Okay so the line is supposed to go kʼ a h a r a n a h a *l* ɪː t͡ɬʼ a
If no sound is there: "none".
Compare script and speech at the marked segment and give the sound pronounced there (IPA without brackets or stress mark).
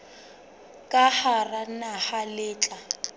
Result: l